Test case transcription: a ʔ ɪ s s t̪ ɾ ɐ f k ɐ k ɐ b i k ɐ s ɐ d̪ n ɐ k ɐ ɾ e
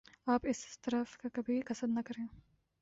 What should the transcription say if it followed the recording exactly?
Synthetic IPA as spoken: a p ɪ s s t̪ ɾ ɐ f k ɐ k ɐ b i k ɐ s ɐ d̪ n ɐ k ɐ ɾ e